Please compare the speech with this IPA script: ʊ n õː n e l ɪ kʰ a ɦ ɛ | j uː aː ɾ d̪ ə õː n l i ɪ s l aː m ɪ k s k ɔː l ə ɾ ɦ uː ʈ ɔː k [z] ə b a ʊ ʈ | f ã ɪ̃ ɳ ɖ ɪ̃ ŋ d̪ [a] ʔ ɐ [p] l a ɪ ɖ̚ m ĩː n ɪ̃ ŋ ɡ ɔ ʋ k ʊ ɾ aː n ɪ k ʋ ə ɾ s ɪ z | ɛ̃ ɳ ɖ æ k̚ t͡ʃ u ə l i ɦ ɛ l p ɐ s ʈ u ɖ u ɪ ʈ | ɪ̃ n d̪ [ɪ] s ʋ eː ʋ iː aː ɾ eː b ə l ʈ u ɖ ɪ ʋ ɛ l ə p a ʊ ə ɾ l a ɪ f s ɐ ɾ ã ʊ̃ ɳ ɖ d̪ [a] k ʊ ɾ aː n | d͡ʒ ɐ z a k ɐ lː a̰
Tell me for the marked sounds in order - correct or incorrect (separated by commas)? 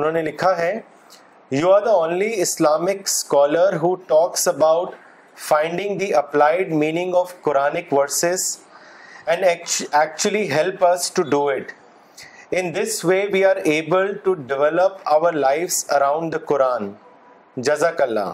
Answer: incorrect, incorrect, correct, correct, incorrect